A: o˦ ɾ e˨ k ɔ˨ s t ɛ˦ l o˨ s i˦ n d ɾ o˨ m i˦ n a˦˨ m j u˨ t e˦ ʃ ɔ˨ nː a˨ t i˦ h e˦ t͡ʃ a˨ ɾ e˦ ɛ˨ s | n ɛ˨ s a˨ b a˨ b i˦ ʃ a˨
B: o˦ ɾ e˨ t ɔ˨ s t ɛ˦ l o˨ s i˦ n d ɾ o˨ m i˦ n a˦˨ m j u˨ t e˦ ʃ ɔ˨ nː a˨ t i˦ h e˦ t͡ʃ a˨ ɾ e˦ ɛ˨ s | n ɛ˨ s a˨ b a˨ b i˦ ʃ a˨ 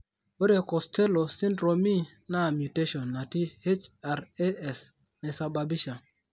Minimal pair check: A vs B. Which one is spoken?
A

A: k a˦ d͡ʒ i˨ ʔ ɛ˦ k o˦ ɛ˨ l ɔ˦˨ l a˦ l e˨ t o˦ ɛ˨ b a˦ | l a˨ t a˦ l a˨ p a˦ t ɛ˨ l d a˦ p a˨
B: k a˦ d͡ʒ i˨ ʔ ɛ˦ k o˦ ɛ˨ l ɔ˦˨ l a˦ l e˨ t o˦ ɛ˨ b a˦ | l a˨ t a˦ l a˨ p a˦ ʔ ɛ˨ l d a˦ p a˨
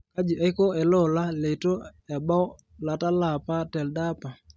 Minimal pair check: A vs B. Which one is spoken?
A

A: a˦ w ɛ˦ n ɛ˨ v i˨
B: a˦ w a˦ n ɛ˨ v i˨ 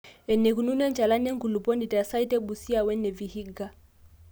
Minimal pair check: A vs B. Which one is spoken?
A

